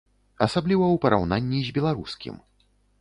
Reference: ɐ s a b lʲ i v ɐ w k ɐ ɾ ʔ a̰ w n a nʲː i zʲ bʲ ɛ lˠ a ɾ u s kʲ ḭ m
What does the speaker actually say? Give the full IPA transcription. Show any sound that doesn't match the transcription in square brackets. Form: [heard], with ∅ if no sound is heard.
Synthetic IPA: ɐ s a b lʲ i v ɐ w [p] ɐ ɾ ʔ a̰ w n a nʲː i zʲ bʲ ɛ lˠ a ɾ u s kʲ ḭ m